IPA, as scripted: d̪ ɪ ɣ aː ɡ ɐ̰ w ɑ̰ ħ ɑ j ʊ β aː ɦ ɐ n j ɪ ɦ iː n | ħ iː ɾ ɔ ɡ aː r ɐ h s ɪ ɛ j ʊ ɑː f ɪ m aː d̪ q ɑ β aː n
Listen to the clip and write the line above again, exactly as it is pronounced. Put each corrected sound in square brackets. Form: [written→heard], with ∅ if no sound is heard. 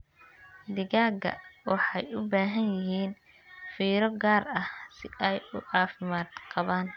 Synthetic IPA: d̪ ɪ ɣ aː ɡ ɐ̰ w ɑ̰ ħ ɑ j ʊ [β→b] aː ɦ ɐ n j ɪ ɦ iː n | [ħ→f] iː ɾ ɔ ɡ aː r ɐ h s ɪ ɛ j ʊ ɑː f ɪ m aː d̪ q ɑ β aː n